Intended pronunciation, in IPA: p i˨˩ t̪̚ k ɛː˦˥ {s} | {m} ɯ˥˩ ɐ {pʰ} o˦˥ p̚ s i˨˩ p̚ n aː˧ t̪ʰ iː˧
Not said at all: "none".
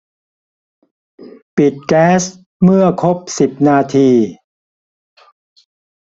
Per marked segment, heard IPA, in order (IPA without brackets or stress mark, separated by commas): s, m, kʰ